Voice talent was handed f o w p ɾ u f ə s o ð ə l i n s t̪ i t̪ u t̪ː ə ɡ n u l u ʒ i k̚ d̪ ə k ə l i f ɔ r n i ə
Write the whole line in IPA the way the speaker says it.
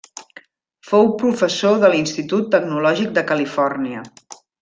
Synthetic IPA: f o w p ɾ u f ə s o ð ə l i n s t̪ i t̪ u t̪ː ə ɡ n u l ɔ ʒ i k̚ d̪ ə k ə l i f ɔ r n i ə